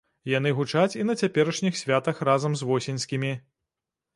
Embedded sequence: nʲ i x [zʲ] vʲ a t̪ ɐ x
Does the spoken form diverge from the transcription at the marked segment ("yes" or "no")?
yes